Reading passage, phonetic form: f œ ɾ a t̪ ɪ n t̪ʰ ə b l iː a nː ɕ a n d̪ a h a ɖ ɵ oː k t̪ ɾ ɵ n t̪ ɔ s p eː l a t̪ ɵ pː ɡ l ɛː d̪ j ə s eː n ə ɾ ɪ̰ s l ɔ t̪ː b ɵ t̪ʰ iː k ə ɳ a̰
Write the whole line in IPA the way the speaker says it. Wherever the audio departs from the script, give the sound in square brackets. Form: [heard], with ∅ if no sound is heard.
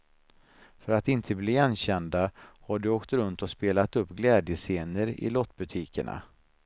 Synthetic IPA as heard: f œ ɾ a t̪ ɪ n t̪ʰ ə b l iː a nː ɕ [ɛ] n d̪ a h a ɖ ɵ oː k t̪ ɾ ɵ n t̪ ɔ s p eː l a t̪ ɵ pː ɡ l ɛː d̪ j ə s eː n ə ɾ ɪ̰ [∅] l ɔ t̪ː b ɵ t̪ʰ iː k ə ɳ a̰